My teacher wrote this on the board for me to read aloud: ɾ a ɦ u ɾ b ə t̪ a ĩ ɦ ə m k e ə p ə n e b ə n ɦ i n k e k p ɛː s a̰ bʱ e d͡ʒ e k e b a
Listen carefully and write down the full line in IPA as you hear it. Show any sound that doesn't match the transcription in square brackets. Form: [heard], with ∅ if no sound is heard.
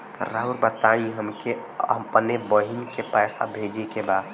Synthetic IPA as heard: ɾ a ɦ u ɾ b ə t̪ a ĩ ɦ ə m k e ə p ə n e b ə [∅] ɦ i n k e [∅] p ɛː s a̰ bʱ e d͡ʒ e k e b a